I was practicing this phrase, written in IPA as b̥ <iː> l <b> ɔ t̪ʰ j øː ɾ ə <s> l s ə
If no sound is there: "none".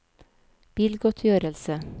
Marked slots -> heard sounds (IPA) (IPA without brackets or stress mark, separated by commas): iː, ɡ, none